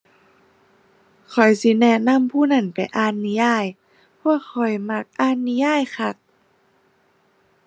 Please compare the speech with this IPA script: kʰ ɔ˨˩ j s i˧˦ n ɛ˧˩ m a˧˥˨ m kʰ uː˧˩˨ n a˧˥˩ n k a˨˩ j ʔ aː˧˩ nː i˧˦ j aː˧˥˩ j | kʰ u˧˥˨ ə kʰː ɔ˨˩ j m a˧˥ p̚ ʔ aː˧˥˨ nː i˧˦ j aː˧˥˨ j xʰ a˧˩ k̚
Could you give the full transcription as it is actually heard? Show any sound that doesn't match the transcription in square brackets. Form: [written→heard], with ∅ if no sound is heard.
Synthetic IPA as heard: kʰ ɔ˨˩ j s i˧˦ n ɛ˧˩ [m→n] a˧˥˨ m [kʰ→pʰ] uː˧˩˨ n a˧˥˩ n [k→p] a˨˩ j ʔ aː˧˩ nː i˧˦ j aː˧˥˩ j | [kʰ→pʰ] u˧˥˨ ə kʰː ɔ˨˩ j m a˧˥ [p̚→k̚] ʔ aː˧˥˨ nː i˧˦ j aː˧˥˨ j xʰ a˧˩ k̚